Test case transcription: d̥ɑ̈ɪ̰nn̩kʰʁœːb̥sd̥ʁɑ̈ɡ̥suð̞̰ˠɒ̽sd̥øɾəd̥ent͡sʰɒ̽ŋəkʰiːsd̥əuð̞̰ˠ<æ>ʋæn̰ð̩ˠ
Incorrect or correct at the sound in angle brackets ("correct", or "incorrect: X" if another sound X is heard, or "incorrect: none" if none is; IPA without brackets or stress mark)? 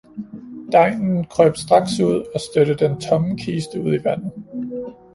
incorrect: i